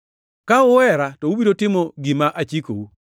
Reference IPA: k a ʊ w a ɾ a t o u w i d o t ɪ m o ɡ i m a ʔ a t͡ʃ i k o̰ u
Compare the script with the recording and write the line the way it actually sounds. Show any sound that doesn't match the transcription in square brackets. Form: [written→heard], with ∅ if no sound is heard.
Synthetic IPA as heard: k a ʊ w [a→ɛ] ɾ a t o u [w→b] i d o t ɪ m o ɡ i m a ʔ a t͡ʃ i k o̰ u

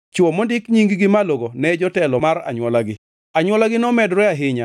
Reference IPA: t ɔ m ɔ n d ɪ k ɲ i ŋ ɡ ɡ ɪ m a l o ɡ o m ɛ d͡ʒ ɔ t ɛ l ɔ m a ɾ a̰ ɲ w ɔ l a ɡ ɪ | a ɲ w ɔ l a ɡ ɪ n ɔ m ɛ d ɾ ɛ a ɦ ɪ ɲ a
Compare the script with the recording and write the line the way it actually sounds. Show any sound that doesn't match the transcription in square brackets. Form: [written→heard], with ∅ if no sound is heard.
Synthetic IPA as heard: [t→t͡ʃ] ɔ m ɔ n d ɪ k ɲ i ŋ ɡ ɡ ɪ m a l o ɡ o [m→n] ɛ d͡ʒ ɔ t ɛ l ɔ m a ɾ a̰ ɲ w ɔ l a ɡ ɪ | a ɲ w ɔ l a ɡ ɪ n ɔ m ɛ d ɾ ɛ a ɦ ɪ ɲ a

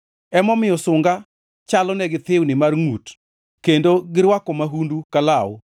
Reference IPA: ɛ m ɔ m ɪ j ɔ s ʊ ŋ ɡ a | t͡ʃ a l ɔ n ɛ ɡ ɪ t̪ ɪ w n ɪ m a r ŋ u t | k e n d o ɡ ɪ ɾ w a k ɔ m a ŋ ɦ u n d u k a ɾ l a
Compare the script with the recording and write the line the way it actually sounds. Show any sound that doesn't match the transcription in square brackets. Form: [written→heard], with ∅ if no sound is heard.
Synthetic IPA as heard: ɛ m ɔ m ɪ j ɔ s ʊ ŋ ɡ a | t͡ʃ a l ɔ n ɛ ɡ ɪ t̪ ɪ w n ɪ m a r ŋ u t | k e n d o ɡ ɪ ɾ w a k ɔ m a [ŋ→∅] ɦ u n d u k a [ɾ→∅] l a

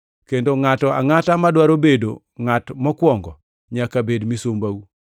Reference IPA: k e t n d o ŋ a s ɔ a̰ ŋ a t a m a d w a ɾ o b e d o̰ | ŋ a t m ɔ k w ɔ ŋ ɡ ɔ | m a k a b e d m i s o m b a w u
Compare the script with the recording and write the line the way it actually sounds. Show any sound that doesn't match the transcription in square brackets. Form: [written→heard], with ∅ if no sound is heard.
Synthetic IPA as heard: k e [t→∅] n d o ŋ a [s→t] ɔ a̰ ŋ a t a m a d w a ɾ o b e d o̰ | ŋ a t m ɔ k w ɔ ŋ ɡ ɔ | [m→ɲ] a k a b e d m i s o m b a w u

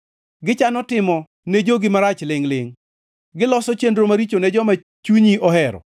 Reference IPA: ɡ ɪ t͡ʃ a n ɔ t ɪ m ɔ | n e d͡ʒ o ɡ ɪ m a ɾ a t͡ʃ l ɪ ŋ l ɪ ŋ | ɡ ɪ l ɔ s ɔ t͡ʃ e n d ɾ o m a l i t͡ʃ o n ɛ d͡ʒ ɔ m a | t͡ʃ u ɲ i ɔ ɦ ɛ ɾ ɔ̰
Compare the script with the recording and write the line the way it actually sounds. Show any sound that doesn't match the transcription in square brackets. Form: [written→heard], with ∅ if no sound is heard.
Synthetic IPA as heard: ɡ ɪ t͡ʃ a n ɔ t ɪ m ɔ | n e d͡ʒ o ɡ ɪ m a ɾ a t͡ʃ l ɪ ŋ l ɪ ŋ | ɡ ɪ l ɔ s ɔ t͡ʃ e n d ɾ o m a [l→ɾ] i t͡ʃ o n ɛ d͡ʒ ɔ m a | t͡ʃ u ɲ i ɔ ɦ ɛ ɾ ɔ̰

